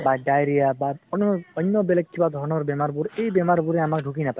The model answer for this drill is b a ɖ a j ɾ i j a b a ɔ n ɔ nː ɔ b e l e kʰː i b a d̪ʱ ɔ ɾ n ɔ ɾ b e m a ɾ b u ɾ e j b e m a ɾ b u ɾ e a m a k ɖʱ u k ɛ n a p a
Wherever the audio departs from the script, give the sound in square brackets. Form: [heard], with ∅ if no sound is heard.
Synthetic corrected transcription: b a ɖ a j ɾ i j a b a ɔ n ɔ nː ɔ b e l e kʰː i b a d̪ʱ ɔ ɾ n ɔ ɾ b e m a ɾ b u ɾ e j b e m a ɾ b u ɾ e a m a k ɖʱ u k [i] n a p a